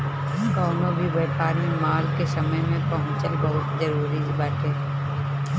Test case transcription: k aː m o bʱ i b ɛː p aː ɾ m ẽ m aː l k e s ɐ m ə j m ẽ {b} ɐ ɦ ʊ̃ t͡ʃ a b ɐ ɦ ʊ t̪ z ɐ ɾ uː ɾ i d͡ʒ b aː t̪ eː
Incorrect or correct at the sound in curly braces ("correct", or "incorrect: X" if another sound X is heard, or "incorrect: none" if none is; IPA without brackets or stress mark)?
incorrect: p